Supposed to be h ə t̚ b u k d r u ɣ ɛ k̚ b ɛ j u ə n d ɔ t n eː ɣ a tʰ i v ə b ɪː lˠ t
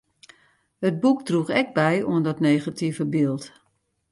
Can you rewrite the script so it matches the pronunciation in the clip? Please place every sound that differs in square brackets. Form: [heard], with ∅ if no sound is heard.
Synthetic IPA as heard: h ə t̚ b u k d r u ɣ ɛ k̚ b ɛ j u ə n d ɔ t n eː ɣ a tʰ i v ə b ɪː lˠ t